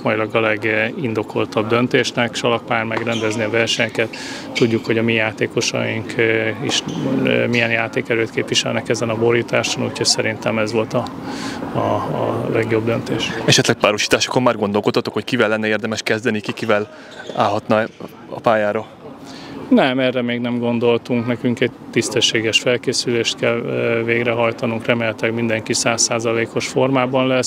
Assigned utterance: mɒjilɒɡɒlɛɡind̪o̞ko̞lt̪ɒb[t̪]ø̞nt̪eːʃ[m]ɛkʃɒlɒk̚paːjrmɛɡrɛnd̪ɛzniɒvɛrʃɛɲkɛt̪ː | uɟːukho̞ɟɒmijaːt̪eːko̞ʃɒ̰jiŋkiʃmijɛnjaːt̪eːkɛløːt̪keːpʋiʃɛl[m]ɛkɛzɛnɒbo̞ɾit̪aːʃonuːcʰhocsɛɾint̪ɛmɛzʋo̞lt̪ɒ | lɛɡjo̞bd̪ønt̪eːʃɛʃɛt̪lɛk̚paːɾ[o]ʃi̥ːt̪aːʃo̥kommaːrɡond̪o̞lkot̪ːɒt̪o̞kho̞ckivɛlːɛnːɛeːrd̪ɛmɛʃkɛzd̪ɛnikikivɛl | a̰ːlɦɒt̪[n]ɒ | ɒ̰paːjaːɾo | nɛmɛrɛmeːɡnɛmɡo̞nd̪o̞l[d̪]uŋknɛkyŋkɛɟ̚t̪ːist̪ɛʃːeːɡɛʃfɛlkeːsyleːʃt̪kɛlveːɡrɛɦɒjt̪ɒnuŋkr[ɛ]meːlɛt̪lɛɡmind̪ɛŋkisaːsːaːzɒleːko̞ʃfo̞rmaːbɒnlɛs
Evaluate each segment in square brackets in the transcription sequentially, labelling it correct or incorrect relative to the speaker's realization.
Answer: incorrect: d̪, incorrect: n, incorrect: n, correct, correct, incorrect: t̪, correct

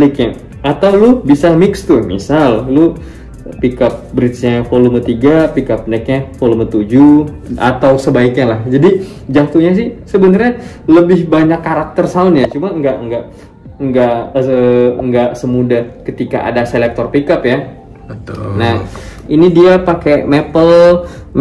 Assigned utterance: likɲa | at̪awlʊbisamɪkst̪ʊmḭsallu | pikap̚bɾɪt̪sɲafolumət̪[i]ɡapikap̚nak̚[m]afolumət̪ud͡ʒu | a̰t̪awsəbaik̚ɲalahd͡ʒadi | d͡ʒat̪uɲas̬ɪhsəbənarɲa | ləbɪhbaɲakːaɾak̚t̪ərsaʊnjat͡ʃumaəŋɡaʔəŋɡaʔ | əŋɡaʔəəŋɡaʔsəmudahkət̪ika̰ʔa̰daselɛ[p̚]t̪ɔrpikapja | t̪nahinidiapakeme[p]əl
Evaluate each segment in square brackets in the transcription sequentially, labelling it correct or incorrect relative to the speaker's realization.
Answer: correct, incorrect: ɲ, incorrect: k̚, correct

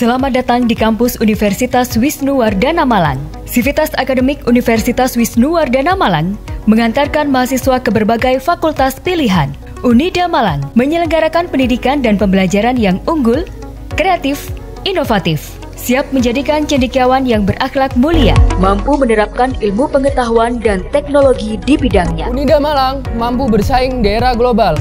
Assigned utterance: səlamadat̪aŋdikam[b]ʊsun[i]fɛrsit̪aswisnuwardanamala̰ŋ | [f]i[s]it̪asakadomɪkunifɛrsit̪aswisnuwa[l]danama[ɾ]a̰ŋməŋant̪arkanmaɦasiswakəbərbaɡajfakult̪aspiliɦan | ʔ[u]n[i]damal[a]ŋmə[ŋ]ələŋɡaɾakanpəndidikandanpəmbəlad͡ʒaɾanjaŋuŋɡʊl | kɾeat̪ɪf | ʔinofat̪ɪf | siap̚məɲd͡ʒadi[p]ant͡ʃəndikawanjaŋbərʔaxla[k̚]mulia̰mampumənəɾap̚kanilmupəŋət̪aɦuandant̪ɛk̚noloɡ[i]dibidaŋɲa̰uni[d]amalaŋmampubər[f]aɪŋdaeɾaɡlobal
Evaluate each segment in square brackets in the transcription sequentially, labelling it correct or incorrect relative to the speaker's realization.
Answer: incorrect: p, correct, incorrect: s, incorrect: f, incorrect: r, incorrect: l, correct, correct, correct, incorrect: ɲ, incorrect: k, correct, correct, correct, incorrect: s

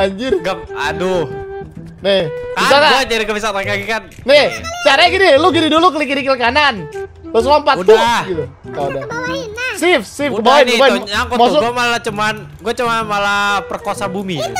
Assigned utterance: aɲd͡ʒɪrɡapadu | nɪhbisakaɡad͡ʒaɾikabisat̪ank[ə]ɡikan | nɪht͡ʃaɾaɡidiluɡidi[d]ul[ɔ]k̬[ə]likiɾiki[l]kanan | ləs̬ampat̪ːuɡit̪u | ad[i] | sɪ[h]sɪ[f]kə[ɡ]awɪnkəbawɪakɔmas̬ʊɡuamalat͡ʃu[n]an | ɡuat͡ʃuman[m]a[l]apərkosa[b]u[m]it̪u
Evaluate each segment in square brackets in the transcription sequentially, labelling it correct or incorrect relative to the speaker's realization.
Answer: incorrect: a, correct, incorrect: u, correct, correct, incorrect: a, incorrect: f, correct, incorrect: b, incorrect: m, correct, correct, correct, correct

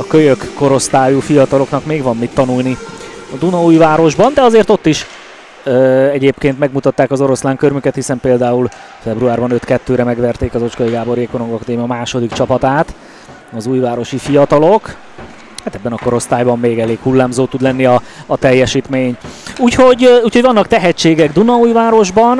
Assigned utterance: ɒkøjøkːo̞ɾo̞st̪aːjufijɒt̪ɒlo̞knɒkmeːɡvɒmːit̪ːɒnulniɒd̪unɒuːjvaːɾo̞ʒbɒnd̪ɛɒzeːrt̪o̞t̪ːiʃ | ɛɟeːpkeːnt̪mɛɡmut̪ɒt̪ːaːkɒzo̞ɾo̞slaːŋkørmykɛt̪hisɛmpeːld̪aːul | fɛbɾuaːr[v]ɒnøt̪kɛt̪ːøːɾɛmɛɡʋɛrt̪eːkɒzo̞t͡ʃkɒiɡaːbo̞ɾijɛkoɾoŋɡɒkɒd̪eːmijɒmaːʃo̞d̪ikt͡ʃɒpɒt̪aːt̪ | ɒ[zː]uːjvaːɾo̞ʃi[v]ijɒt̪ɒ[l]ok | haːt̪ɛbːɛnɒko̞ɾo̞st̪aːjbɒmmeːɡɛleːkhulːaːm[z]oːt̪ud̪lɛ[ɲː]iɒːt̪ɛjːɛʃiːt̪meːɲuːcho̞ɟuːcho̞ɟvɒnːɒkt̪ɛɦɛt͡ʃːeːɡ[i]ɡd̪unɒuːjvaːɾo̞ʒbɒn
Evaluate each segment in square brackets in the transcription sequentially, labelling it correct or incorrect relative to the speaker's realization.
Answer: incorrect: b, incorrect: z, incorrect: f, correct, correct, incorrect: nː, incorrect: ɛ

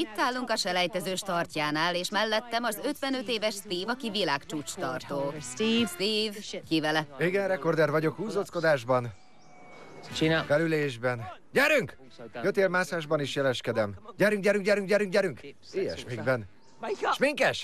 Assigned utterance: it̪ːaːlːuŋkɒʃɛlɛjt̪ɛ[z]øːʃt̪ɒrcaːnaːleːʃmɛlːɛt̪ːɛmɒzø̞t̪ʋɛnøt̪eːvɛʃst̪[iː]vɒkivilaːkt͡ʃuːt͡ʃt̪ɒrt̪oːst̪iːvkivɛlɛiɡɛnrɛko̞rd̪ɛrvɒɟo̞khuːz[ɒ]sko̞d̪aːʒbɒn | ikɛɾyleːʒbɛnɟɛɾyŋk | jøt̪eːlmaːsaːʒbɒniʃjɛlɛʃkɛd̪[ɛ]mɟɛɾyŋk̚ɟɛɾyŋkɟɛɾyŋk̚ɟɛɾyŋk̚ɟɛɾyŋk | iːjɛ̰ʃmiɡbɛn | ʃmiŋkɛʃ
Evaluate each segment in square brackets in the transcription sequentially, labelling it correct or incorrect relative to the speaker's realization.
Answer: correct, correct, incorrect: o, correct

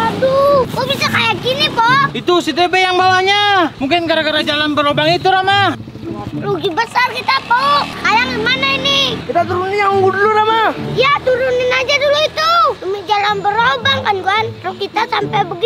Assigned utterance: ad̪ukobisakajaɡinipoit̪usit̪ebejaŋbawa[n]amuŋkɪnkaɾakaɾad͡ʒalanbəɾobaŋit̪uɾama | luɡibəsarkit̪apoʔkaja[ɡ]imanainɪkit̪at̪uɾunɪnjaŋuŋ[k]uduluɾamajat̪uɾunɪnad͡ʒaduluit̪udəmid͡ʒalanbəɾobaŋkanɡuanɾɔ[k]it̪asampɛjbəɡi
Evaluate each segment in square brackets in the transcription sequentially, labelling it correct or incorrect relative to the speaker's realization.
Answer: incorrect: ɲ, incorrect: ŋ, incorrect: ɡ, correct

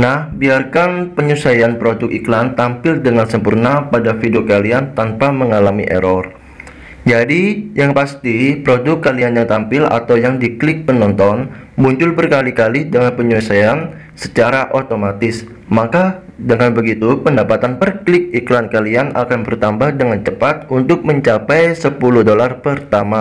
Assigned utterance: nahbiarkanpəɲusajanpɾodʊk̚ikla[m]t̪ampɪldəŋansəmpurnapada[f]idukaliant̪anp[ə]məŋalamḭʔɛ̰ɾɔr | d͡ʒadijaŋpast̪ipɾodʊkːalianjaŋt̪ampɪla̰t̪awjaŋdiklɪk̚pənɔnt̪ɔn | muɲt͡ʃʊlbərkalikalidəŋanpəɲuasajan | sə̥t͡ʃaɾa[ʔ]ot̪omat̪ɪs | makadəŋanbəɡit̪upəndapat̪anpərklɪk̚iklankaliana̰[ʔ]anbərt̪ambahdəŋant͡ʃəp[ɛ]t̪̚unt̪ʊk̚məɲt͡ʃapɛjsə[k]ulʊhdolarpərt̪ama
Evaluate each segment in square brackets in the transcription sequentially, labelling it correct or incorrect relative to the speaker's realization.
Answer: incorrect: n, correct, incorrect: a, correct, incorrect: k, incorrect: a, incorrect: p

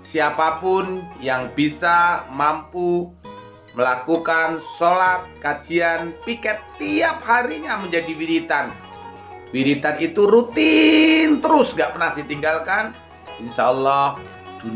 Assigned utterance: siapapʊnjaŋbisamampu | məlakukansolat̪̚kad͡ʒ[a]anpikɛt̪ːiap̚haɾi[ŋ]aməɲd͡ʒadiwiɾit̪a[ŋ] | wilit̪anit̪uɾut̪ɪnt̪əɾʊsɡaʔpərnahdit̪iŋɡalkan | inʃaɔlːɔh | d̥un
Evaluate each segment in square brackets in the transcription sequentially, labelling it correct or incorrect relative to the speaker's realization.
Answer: incorrect: i, incorrect: ɲ, incorrect: n

